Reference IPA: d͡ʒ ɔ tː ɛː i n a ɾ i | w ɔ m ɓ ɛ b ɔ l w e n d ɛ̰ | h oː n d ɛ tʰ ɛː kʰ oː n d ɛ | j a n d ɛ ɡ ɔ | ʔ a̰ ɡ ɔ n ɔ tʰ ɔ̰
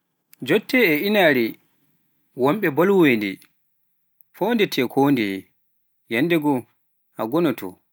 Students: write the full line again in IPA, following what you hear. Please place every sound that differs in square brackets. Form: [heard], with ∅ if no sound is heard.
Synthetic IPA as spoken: d͡ʒ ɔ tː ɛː i n a ɾ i | w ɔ m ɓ ɛ b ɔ l w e n d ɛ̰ | [f] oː n d ɛ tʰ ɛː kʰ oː n d ɛ | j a n d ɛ ɡ ɔ | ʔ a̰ ɡ ɔ n ɔ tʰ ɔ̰